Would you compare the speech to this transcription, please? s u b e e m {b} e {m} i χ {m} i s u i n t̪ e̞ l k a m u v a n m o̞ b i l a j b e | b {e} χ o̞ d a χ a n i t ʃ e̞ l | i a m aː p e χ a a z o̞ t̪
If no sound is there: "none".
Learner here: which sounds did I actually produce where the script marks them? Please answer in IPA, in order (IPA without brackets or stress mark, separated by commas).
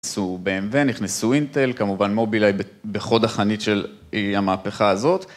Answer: v, n, n, e